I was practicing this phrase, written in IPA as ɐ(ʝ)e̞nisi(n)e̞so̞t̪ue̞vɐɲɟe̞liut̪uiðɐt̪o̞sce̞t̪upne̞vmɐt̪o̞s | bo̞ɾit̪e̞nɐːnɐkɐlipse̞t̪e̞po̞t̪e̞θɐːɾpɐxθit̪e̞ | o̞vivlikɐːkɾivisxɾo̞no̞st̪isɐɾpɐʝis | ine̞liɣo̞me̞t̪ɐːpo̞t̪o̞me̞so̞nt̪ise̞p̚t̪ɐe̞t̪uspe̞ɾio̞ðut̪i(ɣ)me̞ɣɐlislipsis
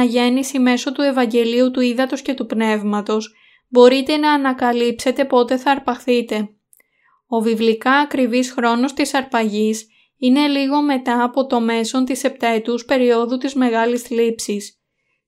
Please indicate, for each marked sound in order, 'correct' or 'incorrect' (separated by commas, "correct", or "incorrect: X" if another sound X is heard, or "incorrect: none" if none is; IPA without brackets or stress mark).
correct, incorrect: m, incorrect: z